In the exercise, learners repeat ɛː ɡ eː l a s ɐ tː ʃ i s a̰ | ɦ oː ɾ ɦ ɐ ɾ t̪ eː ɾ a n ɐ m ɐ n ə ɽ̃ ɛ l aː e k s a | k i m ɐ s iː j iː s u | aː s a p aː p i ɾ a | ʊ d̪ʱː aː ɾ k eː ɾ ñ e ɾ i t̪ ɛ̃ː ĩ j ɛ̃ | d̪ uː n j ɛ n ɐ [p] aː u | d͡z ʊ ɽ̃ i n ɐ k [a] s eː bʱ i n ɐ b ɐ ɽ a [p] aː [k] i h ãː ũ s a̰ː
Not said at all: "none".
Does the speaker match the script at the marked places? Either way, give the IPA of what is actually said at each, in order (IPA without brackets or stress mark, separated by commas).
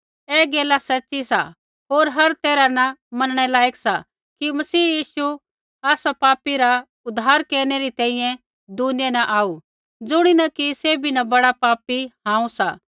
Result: ʔ, i, p, p